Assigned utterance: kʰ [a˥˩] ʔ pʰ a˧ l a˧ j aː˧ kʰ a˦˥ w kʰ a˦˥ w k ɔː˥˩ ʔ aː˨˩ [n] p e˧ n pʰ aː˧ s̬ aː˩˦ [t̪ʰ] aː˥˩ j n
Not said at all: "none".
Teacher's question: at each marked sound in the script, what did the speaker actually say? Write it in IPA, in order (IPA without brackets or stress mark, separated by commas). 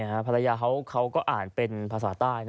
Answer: a˦˥, n, t̪